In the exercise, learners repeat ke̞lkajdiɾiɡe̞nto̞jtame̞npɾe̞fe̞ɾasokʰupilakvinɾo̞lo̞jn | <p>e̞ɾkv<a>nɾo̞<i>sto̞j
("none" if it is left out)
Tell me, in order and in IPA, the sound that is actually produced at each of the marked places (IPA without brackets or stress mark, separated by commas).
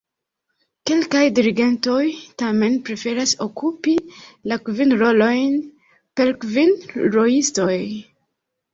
p, i, i